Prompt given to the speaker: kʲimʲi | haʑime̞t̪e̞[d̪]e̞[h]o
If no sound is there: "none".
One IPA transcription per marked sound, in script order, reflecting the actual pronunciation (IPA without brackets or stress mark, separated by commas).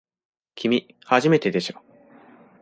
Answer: d̪, ɕ